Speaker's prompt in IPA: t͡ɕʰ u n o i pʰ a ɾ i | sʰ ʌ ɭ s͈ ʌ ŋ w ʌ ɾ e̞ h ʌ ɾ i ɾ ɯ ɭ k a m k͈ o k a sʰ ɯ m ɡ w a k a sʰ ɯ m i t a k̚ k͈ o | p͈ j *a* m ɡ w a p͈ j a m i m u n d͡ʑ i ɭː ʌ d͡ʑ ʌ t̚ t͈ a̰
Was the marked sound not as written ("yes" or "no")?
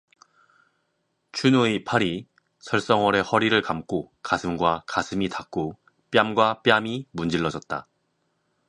no